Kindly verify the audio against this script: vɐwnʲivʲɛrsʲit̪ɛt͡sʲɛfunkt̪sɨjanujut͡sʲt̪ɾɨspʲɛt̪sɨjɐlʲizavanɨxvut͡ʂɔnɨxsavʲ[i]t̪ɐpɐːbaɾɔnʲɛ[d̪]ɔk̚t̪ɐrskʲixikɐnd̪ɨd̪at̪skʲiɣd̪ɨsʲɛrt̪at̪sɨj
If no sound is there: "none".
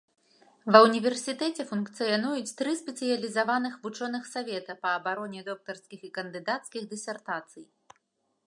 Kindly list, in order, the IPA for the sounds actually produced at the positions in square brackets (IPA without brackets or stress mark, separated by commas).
ɛ, d̪